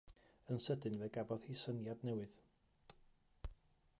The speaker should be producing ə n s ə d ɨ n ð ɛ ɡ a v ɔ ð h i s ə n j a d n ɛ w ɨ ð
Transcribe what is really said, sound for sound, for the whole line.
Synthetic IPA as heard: ə n s ə d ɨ n v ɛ ɡ a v ɔ ð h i s ə n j a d n ɛ w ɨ ð